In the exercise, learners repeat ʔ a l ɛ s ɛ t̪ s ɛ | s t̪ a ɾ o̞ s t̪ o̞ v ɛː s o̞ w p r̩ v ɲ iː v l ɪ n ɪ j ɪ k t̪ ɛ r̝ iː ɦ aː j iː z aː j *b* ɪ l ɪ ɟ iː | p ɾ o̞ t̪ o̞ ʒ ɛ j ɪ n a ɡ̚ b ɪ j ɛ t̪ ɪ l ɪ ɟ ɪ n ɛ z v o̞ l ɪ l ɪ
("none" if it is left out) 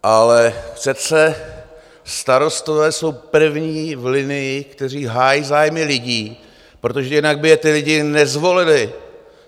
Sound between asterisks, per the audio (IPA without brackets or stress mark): m